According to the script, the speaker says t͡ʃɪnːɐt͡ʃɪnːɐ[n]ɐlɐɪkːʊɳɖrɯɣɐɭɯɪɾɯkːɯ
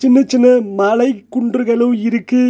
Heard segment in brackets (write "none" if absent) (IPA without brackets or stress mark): m